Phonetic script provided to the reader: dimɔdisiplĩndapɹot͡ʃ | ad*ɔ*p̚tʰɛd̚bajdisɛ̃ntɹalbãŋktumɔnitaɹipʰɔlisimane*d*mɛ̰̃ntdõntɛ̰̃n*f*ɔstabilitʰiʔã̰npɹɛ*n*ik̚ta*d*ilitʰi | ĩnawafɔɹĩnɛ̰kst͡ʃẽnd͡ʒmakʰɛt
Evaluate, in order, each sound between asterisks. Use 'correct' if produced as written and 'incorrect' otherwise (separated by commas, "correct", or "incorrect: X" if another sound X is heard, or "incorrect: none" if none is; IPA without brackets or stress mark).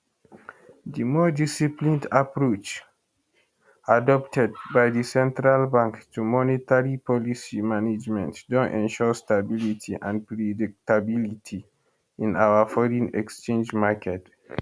correct, incorrect: d͡ʒ, incorrect: ʃ, incorrect: d, incorrect: b